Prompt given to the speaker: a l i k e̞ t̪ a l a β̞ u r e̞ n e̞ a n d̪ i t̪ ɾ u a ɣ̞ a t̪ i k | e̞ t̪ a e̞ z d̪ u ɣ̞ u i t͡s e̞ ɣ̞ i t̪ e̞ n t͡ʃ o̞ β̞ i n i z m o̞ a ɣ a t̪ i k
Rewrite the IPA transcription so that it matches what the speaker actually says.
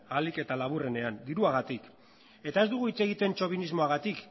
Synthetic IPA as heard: a l i k e̞ t̪ a l a β̞ u r e̞ n e̞ a n d̪ i ɾ u a ɣ̞ a t̪ i k | e̞ t̪ a e̞ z d̪ u ɣ̞ u i t͡s e̞ ɣ̞ i t̪ e̞ n t͡ʃ o̞ β̞ i n i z m o̞ a ɣ a t̪ i k